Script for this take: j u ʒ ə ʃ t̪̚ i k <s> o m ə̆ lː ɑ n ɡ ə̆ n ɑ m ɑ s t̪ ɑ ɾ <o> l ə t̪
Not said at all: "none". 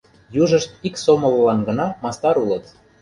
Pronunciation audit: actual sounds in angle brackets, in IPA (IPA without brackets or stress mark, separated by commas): s, u